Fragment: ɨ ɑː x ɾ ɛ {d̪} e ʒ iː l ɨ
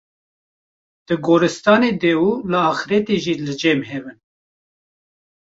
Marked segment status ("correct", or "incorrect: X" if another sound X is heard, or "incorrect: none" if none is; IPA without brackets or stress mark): incorrect: t̪